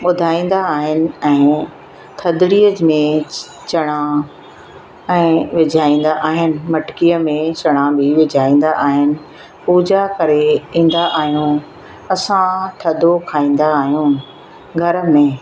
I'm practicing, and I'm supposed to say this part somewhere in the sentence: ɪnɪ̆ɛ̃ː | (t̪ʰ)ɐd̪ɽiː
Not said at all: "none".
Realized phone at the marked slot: t̪ʰ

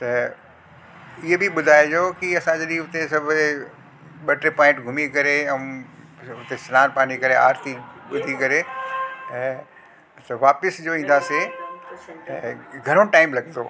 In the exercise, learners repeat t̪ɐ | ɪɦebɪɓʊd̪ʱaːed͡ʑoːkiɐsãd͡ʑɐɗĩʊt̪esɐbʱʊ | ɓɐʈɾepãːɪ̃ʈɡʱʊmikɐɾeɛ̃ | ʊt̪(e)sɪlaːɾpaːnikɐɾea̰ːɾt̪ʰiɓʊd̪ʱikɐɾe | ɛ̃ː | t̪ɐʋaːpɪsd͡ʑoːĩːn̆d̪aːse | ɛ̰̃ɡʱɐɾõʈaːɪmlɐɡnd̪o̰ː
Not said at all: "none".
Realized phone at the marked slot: e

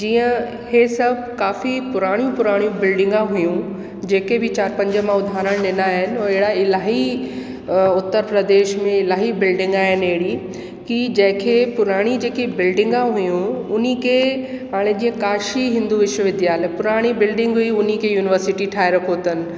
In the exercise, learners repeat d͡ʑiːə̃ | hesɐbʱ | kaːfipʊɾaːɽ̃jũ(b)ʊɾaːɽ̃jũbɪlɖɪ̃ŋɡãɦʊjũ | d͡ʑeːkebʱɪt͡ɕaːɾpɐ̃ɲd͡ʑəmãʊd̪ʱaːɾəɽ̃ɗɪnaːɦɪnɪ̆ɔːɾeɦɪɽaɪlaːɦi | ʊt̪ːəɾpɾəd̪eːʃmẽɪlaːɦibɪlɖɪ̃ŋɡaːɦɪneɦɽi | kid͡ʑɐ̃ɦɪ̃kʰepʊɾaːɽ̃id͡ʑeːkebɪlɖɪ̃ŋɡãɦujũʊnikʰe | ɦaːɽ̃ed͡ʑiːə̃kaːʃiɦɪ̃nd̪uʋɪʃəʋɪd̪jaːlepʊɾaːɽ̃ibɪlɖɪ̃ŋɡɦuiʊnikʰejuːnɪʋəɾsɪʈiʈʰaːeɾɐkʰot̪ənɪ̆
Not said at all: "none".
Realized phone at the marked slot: p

